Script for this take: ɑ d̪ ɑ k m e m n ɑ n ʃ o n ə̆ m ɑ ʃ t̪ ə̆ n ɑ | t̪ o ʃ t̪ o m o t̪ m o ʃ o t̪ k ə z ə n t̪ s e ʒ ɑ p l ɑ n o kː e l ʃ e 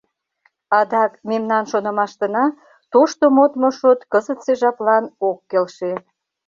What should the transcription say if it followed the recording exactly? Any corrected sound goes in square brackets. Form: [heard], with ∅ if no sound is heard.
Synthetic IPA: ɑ d̪ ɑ k m e m n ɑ n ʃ o n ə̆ m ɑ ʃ t̪ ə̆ n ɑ | t̪ o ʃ t̪ o m o t̪ m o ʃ o t̪ k ə z ə [∅] t̪ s e ʒ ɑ p l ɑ n o kː e l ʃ e